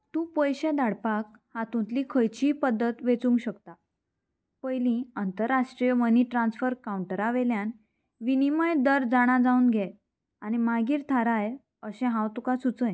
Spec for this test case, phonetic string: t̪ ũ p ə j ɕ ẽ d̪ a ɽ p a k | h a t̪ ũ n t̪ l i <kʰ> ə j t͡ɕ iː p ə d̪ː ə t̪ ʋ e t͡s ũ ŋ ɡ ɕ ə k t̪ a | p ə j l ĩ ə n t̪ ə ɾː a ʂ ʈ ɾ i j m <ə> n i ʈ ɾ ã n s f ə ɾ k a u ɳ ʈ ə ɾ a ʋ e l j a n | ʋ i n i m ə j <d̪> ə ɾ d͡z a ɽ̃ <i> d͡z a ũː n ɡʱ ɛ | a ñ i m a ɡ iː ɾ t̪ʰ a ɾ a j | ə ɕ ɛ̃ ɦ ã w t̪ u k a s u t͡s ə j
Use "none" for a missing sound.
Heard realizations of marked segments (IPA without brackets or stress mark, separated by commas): kʰ, ə, d̪, a